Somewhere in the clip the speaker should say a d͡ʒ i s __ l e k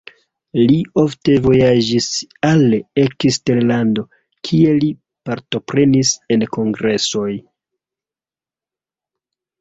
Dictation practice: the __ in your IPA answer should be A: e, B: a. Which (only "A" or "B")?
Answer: B